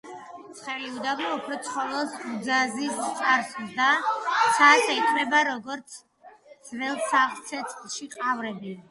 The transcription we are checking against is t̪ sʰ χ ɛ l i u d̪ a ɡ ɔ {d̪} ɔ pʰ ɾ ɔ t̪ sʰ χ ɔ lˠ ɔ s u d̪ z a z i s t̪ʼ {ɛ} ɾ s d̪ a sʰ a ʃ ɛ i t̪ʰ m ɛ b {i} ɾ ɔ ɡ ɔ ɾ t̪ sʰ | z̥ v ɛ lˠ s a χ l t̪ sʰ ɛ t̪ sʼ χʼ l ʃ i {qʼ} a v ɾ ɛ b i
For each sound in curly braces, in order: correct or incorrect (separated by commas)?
incorrect, incorrect, incorrect, correct